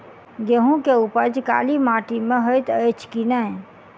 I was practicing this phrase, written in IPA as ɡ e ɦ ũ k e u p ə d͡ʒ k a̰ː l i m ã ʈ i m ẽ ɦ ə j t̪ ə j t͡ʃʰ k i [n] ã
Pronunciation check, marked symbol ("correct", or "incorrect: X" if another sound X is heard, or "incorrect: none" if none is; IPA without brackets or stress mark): correct